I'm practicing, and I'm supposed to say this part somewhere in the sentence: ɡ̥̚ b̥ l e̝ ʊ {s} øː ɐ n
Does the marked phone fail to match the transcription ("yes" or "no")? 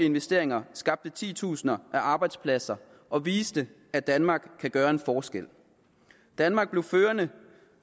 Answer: yes